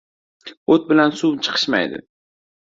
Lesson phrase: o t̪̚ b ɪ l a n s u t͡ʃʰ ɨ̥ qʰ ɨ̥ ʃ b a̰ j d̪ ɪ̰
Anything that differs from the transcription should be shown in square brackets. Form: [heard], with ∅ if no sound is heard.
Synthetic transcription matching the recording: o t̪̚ b ɪ l a n s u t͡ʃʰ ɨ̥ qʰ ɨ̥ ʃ [m] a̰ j d̪ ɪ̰